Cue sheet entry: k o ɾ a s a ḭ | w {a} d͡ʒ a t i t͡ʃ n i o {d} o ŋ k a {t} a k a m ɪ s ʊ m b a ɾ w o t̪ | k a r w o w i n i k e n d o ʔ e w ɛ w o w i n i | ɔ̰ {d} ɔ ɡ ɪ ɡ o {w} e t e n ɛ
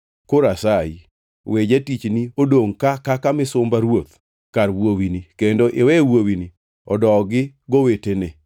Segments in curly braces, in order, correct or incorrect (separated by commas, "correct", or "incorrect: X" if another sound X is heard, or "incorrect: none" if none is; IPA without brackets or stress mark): incorrect: e, correct, incorrect: k, correct, correct